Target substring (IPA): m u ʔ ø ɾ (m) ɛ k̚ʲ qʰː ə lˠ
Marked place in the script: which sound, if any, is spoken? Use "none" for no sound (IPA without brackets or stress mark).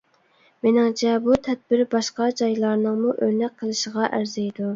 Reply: n